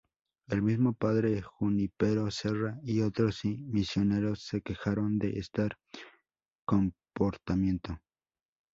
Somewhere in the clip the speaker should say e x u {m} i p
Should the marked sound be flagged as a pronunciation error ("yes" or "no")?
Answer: yes